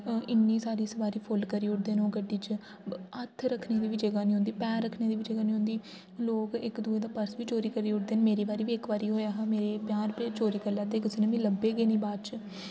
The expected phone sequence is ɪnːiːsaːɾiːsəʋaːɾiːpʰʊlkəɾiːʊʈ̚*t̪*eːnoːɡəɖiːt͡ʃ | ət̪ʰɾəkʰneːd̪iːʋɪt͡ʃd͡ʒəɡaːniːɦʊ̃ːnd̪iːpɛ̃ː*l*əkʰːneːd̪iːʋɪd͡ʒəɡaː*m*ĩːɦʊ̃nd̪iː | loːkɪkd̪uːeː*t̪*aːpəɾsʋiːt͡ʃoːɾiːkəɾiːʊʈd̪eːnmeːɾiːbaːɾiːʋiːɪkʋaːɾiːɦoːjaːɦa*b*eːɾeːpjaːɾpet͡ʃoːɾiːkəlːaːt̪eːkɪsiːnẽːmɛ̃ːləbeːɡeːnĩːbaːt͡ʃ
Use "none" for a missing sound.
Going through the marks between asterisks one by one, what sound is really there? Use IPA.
d̪, ɾ, n, d̪, m

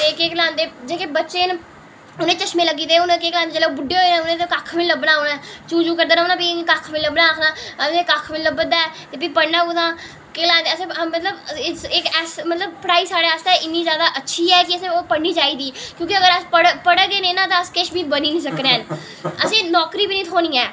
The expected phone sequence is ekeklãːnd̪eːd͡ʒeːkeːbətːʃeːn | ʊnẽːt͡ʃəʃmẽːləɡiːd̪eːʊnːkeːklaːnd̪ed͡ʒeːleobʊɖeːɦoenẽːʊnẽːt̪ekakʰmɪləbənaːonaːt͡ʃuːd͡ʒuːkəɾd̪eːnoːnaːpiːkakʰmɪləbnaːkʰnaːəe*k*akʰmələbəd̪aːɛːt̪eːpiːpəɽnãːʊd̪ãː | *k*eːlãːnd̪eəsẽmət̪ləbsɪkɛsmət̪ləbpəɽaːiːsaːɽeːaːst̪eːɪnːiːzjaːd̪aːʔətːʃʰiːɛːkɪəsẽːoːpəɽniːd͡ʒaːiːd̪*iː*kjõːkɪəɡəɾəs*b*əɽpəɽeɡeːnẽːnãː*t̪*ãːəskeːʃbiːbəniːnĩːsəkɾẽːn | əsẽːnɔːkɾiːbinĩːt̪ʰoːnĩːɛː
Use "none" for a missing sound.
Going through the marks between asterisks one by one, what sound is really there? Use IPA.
k, k, iː, p, t̪

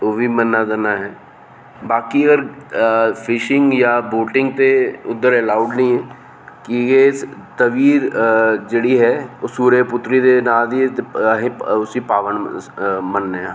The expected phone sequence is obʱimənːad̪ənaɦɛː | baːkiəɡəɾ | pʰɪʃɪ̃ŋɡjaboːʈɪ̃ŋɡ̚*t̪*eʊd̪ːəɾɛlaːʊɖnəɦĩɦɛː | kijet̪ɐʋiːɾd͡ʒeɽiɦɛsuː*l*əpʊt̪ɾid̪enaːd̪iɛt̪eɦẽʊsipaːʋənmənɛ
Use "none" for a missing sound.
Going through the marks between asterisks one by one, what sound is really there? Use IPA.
t̪, ɾ

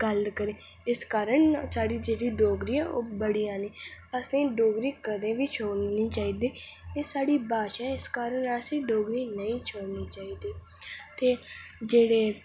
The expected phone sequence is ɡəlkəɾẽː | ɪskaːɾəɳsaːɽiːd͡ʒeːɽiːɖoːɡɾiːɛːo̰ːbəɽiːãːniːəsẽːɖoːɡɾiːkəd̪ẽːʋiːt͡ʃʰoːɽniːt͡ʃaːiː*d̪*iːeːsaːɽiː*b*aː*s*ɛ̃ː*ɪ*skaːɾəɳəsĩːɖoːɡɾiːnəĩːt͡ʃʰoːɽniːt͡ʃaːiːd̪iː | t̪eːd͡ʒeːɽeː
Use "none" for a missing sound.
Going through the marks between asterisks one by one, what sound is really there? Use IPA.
d̪, b, ʃ, ɪ

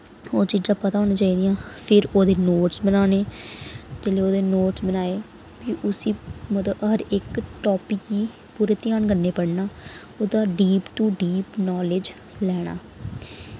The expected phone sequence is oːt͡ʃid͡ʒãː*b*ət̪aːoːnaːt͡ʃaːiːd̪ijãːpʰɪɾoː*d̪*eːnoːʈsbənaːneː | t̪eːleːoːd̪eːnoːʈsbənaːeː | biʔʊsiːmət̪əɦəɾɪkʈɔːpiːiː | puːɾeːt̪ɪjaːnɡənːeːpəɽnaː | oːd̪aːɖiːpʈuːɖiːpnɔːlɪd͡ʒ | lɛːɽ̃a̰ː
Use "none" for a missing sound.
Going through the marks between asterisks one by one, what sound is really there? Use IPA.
p, d̪

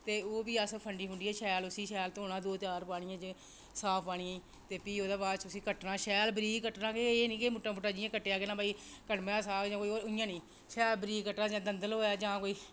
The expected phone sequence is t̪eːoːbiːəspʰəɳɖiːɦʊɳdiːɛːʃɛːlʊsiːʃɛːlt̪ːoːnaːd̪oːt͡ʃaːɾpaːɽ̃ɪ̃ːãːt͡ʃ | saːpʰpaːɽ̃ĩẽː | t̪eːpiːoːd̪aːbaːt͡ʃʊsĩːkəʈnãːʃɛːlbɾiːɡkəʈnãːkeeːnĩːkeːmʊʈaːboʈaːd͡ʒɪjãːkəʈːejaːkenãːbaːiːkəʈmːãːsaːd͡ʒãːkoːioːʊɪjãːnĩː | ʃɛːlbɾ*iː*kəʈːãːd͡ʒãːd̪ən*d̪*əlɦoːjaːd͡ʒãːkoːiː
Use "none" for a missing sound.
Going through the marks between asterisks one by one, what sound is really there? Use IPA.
iː, d̪

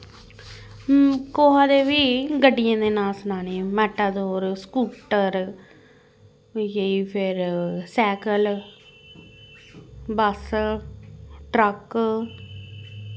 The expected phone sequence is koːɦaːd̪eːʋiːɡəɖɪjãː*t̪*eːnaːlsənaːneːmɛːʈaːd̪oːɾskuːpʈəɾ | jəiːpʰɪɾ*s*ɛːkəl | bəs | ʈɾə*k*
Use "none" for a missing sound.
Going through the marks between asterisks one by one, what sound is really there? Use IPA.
d̪, s, k

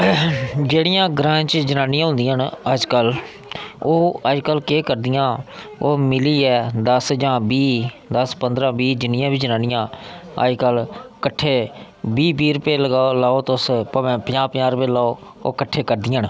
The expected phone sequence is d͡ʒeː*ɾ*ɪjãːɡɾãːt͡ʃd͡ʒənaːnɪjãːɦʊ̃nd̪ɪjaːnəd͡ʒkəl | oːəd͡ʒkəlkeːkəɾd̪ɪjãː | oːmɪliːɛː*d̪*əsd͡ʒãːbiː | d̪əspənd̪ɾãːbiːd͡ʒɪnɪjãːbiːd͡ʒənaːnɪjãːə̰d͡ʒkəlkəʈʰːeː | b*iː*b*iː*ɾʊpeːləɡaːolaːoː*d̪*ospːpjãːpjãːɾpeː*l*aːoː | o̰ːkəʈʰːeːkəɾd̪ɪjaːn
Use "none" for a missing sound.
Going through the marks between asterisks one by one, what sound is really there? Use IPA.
ɽ, d̪, iː, iː, t̪, l

